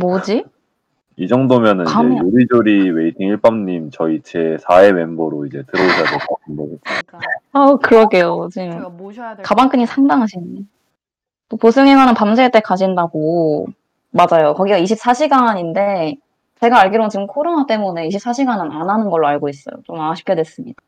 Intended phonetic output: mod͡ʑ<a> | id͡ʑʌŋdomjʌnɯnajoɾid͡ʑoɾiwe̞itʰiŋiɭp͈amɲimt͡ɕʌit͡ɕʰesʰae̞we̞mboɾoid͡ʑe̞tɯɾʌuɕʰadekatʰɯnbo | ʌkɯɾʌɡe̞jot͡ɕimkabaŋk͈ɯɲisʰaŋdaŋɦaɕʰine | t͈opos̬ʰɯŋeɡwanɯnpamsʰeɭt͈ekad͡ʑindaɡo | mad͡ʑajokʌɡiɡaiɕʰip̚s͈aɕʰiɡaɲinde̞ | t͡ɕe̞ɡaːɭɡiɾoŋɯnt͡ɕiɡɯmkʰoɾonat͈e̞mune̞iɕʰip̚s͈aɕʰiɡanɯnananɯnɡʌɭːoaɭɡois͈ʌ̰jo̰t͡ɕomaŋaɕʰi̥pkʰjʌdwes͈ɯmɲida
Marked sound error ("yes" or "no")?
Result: yes